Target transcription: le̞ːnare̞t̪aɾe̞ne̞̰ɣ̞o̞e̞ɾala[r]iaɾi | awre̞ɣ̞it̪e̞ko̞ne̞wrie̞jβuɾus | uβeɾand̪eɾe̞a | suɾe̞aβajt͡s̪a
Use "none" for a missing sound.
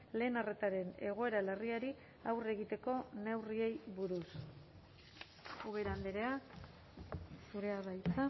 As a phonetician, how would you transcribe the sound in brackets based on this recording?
r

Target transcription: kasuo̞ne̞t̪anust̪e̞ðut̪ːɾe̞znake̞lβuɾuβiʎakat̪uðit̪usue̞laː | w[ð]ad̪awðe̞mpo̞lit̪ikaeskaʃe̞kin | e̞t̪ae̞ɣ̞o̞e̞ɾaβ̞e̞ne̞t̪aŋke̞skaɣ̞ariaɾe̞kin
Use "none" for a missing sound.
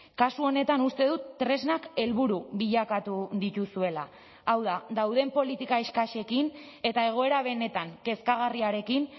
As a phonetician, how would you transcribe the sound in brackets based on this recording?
ð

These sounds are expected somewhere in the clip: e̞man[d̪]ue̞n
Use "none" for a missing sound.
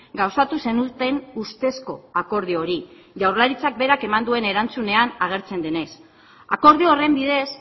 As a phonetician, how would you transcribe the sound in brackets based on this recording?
d̪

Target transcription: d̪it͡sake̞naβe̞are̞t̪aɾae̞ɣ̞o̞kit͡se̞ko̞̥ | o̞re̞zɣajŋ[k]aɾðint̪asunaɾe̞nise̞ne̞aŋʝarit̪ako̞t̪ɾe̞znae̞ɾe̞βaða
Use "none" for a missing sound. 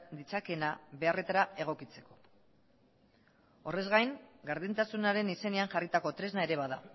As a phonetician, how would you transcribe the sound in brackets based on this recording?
ɡ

